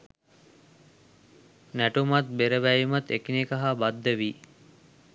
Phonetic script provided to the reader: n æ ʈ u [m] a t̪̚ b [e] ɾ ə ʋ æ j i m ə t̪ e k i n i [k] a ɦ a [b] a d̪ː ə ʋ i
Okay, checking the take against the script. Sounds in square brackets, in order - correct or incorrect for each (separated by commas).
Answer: correct, correct, correct, correct